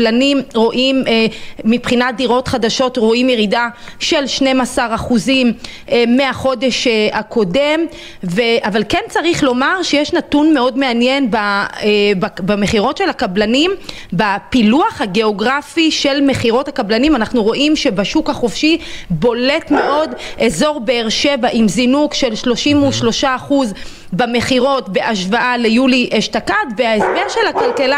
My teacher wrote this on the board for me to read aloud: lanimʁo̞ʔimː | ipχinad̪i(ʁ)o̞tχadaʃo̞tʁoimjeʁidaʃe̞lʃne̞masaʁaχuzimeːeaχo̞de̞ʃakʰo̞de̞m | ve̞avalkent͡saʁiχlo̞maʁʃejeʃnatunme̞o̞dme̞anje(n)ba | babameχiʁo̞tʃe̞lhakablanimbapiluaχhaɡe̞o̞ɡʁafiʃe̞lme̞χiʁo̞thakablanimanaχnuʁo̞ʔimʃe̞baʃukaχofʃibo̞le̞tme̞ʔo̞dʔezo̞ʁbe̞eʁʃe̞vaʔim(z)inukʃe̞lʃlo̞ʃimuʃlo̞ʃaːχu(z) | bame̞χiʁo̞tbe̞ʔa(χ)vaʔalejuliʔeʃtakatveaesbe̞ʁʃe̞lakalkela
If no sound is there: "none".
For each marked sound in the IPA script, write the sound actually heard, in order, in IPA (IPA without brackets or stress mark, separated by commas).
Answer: ʁ, n, z, z, ʃ